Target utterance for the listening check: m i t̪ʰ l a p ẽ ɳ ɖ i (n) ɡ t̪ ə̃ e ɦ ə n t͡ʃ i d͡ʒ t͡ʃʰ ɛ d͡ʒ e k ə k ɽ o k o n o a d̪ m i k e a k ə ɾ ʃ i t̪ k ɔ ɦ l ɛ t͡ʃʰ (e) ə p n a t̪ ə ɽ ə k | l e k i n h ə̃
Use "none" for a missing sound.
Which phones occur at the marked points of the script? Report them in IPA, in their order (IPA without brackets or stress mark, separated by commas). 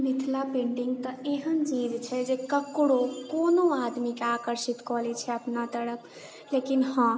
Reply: ŋ, ɛ